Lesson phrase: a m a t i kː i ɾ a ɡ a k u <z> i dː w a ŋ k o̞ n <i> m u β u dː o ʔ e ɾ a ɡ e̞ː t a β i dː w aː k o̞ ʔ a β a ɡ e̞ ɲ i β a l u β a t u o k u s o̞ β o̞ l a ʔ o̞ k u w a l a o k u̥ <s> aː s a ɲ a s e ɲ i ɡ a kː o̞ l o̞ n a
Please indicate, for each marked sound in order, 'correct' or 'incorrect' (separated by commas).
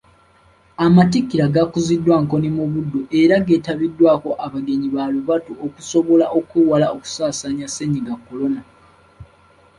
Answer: correct, correct, correct